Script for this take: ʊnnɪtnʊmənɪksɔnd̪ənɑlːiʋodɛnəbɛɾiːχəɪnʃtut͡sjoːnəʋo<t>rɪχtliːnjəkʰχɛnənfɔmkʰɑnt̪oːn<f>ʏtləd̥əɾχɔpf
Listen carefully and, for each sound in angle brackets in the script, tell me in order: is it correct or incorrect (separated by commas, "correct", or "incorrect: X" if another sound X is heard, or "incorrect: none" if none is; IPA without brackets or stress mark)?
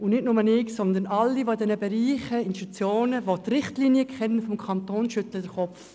correct, incorrect: ʃ